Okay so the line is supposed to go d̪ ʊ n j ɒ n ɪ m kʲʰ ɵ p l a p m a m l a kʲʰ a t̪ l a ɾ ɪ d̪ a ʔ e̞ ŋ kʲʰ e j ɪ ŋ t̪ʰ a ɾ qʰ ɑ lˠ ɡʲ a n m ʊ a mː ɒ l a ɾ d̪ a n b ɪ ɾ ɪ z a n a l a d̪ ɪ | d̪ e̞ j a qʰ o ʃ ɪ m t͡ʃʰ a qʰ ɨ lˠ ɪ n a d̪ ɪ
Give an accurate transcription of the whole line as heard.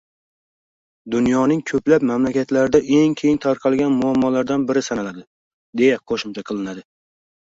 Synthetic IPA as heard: d̪ ʊ n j ɒ n ɪ ŋ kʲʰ ɵ p l a p m a m l a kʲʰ a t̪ l a ɾ ɪ d̪ a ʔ e̞ ŋ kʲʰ e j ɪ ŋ t̪ʰ a ɾ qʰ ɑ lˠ ɡʲ a n m ʊ a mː ɒ l a ɾ d̪ a n b ɪ ɾ ɪ s a n a l a d̪ ɪ | d̪ e̞ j a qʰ o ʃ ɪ m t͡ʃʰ a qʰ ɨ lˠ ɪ n a d̪ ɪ